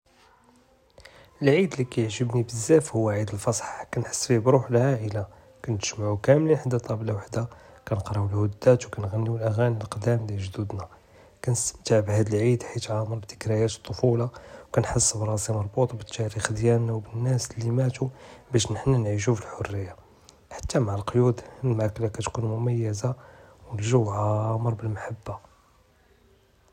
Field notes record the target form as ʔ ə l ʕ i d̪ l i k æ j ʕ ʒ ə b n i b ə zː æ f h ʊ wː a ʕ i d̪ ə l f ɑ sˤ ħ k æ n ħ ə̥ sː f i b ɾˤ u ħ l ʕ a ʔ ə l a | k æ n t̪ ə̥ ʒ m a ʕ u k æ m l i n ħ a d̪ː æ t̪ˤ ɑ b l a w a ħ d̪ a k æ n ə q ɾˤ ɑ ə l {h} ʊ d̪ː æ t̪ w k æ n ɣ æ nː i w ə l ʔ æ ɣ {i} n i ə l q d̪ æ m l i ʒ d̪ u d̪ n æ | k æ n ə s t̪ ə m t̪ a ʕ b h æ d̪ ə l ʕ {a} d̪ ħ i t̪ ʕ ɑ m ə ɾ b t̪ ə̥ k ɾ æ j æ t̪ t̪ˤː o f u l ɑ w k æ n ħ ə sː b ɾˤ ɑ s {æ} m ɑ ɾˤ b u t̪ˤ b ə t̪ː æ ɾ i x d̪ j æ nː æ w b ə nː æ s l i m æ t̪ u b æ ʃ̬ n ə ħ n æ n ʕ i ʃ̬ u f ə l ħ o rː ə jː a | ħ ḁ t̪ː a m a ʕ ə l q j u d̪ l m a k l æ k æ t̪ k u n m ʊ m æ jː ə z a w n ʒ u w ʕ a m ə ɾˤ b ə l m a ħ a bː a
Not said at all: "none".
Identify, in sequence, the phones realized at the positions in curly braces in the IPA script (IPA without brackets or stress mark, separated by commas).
h, æ, i, i